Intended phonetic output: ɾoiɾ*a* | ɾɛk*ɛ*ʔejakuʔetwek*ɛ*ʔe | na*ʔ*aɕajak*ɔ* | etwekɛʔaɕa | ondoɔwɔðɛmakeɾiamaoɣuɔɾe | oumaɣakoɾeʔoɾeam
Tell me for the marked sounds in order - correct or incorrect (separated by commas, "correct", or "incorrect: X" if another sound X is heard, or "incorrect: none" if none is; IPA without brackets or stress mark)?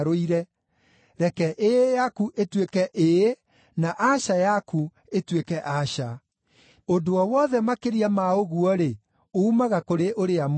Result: incorrect: ɛ, correct, correct, correct, incorrect: u